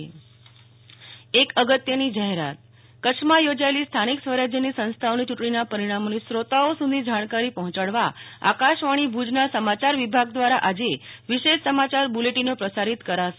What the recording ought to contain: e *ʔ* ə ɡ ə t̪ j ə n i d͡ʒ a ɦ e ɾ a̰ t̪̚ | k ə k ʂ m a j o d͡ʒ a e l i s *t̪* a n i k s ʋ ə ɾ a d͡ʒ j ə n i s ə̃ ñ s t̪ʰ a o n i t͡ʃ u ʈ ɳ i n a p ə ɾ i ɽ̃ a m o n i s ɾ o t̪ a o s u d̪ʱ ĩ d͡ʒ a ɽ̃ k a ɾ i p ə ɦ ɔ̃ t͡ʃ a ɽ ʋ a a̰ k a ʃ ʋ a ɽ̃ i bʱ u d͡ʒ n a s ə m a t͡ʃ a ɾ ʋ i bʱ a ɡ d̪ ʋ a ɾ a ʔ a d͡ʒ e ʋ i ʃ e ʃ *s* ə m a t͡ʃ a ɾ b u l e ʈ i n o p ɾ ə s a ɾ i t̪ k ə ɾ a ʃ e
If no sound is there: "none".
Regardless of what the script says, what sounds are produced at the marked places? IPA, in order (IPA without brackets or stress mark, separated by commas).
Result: k, t̪ʰ, s